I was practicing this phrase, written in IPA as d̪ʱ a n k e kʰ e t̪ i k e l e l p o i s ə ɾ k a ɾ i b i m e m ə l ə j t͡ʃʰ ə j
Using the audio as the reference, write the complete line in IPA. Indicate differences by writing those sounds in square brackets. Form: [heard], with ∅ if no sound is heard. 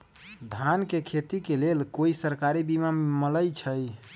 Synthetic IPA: d̪ʱ a n k e kʰ e t̪ i k e l e l [k] o i s ə ɾ k a ɾ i b i m [a] m ə l ə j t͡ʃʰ ə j

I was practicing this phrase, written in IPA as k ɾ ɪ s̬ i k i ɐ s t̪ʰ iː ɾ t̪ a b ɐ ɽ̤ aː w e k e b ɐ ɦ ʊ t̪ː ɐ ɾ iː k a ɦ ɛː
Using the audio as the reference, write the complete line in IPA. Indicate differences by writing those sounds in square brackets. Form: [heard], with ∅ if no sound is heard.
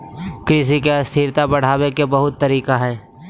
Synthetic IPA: k ɾ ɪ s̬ i k [e] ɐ s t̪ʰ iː ɾ t̪ a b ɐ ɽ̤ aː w e k e b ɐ ɦ ʊ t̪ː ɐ ɾ iː k a ɦ ɛː

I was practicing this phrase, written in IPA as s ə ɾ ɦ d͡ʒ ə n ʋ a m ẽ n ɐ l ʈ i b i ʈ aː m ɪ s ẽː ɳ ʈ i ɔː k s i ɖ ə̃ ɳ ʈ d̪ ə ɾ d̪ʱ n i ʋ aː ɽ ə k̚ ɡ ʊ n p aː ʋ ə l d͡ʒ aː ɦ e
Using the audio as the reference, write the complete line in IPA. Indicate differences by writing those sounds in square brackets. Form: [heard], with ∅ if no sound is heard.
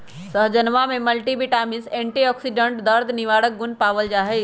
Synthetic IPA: s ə [∅] ɦ d͡ʒ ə n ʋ a m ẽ [m] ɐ l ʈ i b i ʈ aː m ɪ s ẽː ɳ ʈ i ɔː k s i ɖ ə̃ ɳ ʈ d̪ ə ɾ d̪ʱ n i ʋ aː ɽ ə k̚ ɡ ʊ n p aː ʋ ə l d͡ʒ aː ɦ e

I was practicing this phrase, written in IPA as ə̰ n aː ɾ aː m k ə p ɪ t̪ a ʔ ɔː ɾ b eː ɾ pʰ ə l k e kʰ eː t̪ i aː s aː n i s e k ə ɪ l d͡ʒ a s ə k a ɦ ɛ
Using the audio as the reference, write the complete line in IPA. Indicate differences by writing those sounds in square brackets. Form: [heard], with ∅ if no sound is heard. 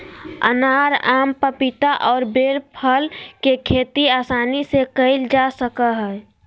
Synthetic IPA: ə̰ n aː ɾ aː m [p] ə p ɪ t̪ a ʔ ɔː ɾ b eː ɾ pʰ ə l k e kʰ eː t̪ i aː s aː n i s e k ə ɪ l d͡ʒ a s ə k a ɦ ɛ

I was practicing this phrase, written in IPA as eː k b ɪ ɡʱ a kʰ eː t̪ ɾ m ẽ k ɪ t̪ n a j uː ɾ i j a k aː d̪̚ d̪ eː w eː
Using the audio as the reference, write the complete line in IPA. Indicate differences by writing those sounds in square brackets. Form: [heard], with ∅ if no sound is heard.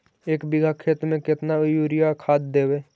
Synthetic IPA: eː k b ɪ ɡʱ a kʰ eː t̪ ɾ m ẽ k ɪ t̪ n a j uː ɾ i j a [kʰ] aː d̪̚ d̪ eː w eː

